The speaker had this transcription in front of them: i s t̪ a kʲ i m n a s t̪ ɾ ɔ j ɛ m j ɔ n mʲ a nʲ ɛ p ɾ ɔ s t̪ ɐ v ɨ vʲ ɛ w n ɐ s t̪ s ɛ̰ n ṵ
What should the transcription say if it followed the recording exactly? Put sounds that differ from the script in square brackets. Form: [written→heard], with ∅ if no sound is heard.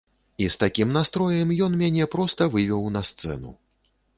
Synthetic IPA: i s t̪ a kʲ i m n a s t̪ ɾ ɔ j ɛ m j ɔ n mʲ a nʲ ɛ p ɾ ɔ s t̪ ɐ v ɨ vʲ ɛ w n ɐ s t̪ s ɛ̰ n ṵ